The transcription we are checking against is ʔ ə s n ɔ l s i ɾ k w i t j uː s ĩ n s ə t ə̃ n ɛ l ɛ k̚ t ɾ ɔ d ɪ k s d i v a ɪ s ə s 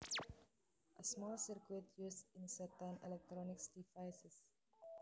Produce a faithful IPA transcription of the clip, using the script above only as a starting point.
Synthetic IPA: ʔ ə s m ɔ l s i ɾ k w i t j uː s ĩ n s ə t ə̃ n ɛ l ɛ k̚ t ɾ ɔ n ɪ k s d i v a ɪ s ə s